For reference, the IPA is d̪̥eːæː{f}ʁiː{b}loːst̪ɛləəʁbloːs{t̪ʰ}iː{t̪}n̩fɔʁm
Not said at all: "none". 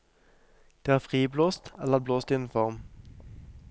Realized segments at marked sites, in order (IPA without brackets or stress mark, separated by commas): f, b, t̪, none